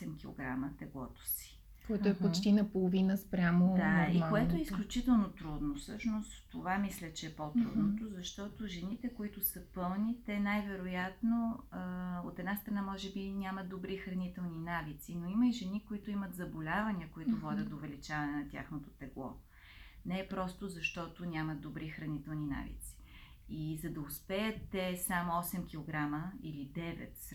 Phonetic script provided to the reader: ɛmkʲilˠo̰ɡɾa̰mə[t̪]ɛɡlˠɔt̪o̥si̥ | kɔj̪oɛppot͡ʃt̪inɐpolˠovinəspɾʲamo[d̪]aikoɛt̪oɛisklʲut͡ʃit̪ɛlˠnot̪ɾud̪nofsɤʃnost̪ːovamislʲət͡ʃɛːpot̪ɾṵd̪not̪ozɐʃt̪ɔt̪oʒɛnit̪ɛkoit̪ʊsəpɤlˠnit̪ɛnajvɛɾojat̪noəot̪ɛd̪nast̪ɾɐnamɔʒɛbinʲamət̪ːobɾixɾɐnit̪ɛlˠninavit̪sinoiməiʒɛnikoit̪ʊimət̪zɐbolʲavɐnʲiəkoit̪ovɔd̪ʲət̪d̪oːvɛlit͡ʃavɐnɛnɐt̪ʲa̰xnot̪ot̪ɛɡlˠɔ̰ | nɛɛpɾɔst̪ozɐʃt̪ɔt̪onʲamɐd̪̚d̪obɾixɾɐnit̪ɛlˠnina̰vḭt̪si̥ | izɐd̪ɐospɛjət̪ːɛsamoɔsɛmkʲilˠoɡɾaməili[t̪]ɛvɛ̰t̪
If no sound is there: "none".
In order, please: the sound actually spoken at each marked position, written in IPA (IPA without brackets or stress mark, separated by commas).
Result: t̪, d̪, d̪